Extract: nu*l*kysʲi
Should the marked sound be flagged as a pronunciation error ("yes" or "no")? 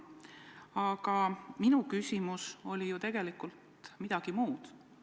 yes